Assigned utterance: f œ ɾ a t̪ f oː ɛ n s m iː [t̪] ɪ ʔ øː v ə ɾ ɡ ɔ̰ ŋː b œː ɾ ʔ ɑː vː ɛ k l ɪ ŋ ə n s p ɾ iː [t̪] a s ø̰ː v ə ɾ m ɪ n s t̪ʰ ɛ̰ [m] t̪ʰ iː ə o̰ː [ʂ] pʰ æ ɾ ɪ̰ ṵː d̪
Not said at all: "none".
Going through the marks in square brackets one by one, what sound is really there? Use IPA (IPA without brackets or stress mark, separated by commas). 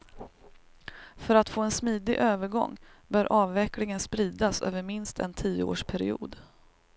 d̪, d̪, n, ʂ